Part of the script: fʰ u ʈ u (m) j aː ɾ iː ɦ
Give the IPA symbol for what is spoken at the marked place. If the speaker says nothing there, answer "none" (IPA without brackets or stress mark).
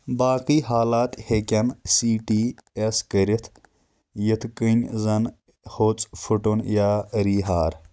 n